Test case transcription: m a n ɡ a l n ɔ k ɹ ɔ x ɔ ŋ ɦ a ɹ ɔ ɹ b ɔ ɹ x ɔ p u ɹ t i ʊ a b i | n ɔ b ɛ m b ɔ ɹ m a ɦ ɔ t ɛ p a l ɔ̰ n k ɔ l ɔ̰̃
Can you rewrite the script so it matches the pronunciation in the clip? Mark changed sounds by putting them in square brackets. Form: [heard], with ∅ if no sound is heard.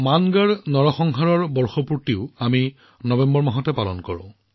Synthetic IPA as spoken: m a n ɡ a [ɹ] n ɔ [∅] ɹ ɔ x ɔ ŋ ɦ a ɹ ɔ ɹ b ɔ ɹ x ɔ p u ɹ t i ʊ a [m] i | n ɔ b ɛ m b ɔ ɹ m a ɦ ɔ t ɛ p a l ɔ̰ n k ɔ [ɹ] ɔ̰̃